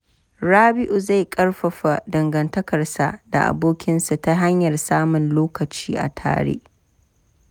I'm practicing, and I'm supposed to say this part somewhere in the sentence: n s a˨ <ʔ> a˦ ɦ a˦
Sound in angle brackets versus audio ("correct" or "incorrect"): incorrect